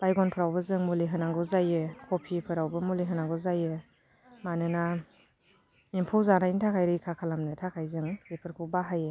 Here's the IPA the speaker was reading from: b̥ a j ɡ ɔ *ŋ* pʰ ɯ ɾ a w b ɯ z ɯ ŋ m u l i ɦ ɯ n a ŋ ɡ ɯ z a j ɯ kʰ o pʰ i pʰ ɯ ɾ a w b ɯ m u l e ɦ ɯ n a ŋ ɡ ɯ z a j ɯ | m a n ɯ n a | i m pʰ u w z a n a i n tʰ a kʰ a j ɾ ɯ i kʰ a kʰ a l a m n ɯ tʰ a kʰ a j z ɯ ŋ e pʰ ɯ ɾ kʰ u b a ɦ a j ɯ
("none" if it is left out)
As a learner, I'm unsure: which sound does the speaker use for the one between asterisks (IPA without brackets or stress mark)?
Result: n